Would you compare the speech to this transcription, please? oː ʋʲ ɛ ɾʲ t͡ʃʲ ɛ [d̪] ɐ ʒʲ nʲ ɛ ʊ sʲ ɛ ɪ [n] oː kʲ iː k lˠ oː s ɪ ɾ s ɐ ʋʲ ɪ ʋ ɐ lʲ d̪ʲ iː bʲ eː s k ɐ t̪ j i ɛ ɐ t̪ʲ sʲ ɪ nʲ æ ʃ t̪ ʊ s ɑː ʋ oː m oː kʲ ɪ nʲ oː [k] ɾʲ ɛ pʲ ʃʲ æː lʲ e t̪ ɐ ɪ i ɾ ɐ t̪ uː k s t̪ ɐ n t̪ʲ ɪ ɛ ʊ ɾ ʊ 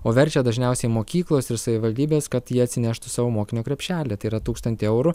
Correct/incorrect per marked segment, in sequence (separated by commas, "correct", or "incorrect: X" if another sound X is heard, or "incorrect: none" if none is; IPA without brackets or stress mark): correct, incorrect: m, correct